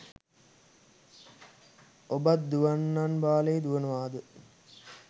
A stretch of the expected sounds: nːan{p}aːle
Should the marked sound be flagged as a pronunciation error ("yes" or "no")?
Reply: yes